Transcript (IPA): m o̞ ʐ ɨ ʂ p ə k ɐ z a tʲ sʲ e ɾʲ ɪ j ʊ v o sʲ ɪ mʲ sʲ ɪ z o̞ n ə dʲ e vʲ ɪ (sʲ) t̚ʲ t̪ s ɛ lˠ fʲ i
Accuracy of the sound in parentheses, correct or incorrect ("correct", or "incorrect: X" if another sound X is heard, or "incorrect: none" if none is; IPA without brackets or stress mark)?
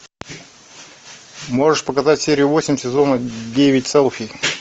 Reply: incorrect: none